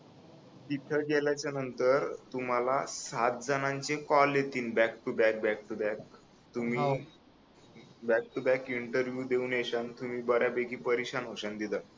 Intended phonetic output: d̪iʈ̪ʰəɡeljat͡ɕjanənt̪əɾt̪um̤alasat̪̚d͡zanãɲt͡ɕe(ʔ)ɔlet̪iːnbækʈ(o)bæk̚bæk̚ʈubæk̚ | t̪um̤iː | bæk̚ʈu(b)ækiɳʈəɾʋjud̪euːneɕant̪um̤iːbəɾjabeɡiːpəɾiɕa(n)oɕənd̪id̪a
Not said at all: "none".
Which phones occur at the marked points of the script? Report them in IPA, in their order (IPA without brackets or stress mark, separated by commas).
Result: k, u, b, n